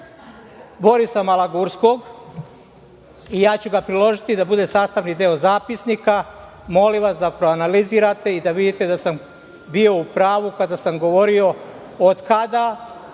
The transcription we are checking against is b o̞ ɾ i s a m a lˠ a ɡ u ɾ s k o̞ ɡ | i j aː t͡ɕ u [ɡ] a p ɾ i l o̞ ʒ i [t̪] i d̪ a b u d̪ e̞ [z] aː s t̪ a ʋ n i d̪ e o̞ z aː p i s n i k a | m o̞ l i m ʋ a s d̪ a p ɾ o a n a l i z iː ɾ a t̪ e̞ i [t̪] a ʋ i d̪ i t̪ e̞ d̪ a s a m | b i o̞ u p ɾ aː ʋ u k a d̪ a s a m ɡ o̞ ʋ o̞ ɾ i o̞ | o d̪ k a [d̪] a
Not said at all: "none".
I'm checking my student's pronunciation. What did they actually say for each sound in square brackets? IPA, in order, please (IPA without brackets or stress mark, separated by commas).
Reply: ɡ, t̪, s, d̪, d̪